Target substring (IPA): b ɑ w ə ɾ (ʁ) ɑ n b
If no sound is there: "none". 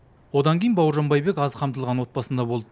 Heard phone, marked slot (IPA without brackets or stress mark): ʒ